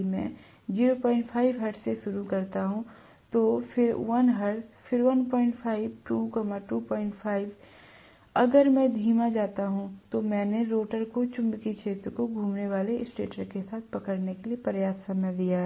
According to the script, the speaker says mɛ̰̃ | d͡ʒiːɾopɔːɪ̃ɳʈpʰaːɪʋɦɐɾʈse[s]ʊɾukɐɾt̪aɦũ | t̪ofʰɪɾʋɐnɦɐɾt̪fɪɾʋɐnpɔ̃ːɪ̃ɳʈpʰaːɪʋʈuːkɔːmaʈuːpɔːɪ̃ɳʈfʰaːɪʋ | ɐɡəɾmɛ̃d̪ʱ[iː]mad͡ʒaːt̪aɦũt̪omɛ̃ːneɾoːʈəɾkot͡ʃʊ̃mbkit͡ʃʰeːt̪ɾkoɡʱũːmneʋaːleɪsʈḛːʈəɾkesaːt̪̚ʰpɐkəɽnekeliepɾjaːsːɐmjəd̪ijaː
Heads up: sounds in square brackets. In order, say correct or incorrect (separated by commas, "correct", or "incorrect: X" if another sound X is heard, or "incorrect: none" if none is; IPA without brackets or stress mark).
incorrect: ʃ, correct